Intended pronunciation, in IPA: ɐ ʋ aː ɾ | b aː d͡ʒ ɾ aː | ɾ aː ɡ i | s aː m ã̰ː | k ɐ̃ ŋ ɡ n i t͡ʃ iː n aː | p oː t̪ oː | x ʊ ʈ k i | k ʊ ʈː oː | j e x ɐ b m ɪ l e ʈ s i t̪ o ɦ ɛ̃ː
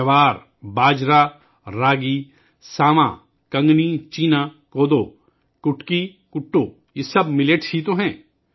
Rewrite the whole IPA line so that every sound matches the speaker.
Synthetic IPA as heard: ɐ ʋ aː ɾ | b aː d͡ʒ ɾ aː | ɾ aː ɡ i | s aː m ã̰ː | k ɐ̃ ŋ ɡ n i t͡ʃ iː n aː | k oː d̪ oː | k ʊ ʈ k i | k ʊ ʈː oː | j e s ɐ b m ɪ l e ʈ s i t̪ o ɦ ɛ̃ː